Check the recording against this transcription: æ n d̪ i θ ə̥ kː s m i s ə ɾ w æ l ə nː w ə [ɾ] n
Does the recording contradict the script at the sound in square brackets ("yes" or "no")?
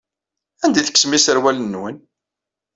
yes